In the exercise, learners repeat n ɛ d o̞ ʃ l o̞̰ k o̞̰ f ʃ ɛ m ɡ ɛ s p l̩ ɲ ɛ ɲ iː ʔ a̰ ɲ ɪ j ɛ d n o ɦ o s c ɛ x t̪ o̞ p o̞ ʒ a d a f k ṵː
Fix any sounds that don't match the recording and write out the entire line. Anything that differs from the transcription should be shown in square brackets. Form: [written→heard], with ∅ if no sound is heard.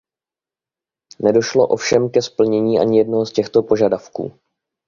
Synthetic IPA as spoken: n ɛ d o̞ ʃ l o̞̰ [k→ʔ] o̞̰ f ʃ ɛ m [ɡ→k] ɛ s p l̩ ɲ ɛ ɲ iː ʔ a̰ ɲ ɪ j ɛ d n o ɦ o s c ɛ x t̪ o̞ p o̞ ʒ a d a f k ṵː